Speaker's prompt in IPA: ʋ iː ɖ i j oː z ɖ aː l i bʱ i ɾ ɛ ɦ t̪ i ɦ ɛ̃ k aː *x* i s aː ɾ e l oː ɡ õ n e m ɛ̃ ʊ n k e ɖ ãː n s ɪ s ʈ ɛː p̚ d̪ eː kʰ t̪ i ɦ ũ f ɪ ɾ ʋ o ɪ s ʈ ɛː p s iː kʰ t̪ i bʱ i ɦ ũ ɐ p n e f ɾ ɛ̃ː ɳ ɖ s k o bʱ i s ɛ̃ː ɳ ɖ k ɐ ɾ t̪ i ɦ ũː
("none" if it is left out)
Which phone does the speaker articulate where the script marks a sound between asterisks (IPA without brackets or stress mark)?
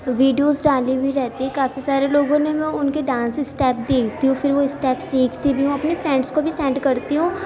f